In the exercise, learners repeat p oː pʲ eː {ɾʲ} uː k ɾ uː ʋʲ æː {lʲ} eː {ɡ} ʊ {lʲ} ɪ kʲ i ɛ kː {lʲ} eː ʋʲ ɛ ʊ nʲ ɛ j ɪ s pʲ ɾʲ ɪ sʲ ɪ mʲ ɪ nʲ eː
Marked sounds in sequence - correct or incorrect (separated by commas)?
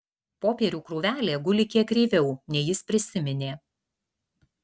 correct, correct, correct, correct, incorrect